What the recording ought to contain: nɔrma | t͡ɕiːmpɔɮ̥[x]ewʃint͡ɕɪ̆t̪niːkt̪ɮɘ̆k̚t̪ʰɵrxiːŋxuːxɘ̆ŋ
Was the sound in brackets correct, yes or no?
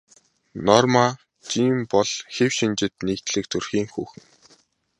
yes